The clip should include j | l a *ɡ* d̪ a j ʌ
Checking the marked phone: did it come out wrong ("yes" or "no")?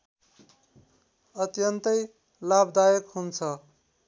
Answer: yes